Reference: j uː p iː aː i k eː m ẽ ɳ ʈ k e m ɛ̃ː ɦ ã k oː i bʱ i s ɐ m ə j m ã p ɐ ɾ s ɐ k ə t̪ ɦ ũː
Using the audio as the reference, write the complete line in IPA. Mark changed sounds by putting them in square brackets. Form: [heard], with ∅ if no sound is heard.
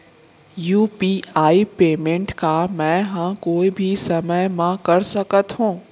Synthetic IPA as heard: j uː p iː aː i [p] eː m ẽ ɳ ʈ k [a] m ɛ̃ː ɦ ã k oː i bʱ i s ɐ m ə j m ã [k] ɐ ɾ s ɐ k ə t̪ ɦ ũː